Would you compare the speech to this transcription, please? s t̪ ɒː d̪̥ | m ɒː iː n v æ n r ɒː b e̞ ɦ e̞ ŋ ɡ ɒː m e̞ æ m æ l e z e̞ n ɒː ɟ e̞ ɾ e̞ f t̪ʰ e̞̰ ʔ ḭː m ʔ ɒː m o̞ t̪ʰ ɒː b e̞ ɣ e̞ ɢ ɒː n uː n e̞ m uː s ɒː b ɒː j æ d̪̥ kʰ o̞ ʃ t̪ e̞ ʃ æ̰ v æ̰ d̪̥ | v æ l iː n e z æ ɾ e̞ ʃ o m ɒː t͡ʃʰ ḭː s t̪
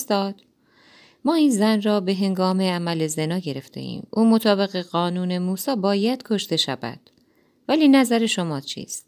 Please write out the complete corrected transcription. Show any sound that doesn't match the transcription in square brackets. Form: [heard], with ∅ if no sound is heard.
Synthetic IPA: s t̪ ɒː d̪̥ | m ɒː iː n [z] æ n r ɒː b e̞ ɦ e̞ ŋ ɡ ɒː m e̞ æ m æ l e z e̞ n ɒː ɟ e̞ ɾ e̞ f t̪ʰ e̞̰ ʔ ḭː m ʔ [uː] m o̞ t̪ʰ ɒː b e̞ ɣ e̞ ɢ ɒː n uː n e̞ m uː s ɒː b ɒː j æ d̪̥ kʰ o̞ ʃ t̪ e̞ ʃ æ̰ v æ̰ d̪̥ | v æ l iː n [æ] z æ ɾ e̞ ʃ o m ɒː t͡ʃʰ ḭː s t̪